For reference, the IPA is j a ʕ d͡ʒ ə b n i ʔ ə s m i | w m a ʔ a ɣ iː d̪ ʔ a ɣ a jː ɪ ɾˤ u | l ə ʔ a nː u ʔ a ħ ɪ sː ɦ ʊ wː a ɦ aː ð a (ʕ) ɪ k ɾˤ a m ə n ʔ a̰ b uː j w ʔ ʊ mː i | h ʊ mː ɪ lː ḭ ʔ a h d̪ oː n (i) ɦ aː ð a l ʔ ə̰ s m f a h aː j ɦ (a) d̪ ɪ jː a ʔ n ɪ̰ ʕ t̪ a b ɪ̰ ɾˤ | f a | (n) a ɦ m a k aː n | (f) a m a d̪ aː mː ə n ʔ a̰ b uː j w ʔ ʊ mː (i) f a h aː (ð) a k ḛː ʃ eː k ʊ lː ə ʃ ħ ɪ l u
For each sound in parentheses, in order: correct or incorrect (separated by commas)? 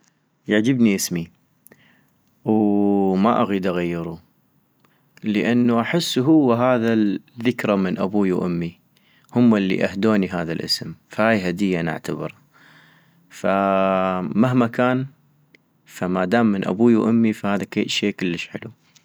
incorrect, correct, correct, incorrect, correct, correct, correct